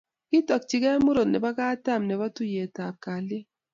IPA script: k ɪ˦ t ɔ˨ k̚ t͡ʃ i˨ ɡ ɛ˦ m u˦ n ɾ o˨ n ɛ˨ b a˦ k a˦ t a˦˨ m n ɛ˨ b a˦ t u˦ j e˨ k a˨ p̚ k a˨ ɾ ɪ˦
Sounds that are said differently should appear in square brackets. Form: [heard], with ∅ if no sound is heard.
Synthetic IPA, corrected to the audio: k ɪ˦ t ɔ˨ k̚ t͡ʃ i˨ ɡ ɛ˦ m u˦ [∅] ɾ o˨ n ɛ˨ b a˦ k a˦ t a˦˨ m n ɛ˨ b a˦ t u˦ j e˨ [t] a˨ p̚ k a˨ [l] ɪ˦